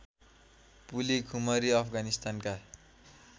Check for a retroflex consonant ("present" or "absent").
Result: absent